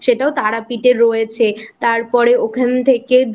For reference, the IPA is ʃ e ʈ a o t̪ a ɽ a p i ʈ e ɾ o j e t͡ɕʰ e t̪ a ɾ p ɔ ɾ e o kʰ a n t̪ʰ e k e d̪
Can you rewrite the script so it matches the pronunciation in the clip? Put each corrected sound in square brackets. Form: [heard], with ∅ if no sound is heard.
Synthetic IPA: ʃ e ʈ a o t̪ a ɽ a p i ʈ e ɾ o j e t͡ɕʰ e t̪ a ɾ p ɔ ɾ e o kʰ a n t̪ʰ e k e d̪